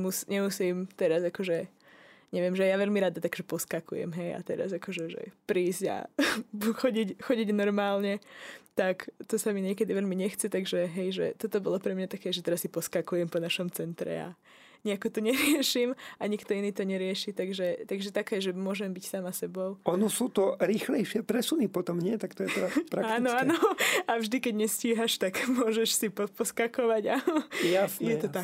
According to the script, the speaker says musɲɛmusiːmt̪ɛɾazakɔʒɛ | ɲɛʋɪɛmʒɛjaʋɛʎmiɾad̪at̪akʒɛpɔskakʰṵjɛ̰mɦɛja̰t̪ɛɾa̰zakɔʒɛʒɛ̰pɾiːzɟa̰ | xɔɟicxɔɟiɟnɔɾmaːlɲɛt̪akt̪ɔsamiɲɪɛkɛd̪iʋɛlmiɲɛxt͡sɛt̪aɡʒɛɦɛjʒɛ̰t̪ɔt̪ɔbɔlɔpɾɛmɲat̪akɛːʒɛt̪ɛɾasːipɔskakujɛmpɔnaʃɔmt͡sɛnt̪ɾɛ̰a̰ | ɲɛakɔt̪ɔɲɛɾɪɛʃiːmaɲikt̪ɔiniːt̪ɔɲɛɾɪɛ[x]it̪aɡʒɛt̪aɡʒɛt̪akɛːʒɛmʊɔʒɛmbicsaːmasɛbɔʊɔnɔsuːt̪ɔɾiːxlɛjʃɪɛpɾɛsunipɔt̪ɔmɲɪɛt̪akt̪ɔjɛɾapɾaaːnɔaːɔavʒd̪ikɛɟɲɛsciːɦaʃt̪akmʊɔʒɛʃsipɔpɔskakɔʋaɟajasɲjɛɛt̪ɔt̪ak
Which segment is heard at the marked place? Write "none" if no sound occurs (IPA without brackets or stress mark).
ʃ